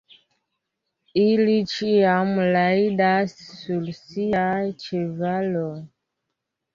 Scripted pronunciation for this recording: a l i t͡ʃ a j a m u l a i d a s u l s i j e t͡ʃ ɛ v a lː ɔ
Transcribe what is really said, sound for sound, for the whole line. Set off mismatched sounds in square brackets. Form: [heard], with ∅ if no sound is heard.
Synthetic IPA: [i] l i t͡ʃ [i] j a m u l a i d a s u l s i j [a] t͡ʃ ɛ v a [l] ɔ